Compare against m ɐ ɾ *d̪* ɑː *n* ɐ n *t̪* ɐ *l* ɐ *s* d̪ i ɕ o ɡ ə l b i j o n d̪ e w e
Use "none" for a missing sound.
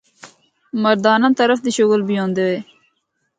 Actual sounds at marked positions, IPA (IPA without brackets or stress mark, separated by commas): d̪, n, t̪, ɾ, f